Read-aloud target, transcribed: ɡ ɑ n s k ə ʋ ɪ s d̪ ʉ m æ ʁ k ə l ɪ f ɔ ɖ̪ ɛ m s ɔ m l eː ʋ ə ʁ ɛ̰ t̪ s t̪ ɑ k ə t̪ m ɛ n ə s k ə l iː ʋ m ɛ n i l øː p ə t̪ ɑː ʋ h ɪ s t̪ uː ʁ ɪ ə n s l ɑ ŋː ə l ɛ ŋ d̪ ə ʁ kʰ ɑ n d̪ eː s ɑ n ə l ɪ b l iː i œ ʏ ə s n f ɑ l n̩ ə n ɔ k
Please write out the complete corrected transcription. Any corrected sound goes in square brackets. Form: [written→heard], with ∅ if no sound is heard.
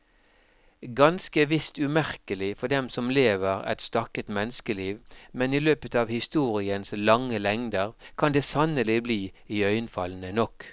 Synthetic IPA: ɡ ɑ n s k ə ʋ ɪ s [d̪→t̪] ʉ m æ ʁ k ə l ɪ f ɔ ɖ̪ ɛ m s ɔ m l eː ʋ ə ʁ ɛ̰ t̪ s t̪ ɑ k ə t̪ m ɛ n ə s k ə l iː ʋ m ɛ n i l øː p ə t̪ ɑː ʋ h ɪ s t̪ uː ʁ ɪ ə n s l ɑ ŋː ə l ɛ ŋ d̪ ə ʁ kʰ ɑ n d̪ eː s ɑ n ə l ɪ b l iː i œ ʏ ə [s→∅] n f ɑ l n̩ ə n ɔ k